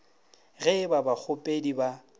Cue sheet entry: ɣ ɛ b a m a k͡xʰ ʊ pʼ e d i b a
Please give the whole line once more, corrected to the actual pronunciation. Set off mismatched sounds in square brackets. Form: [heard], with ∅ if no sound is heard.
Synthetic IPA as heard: ɣ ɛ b a [b] a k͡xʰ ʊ pʼ e d i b a